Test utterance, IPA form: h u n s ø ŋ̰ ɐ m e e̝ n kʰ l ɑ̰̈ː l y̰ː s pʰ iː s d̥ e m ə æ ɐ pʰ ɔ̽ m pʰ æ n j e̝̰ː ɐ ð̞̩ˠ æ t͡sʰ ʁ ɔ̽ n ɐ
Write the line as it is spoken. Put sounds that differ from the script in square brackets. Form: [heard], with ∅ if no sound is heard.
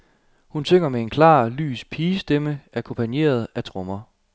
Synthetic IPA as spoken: h u n s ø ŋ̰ ɐ m e e̝ n kʰ l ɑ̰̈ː l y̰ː s pʰ iː s d̥ e m ə æ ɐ [kʰ] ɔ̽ m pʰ æ n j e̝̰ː ɐ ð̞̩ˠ æ t͡sʰ ʁ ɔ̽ [m] ɐ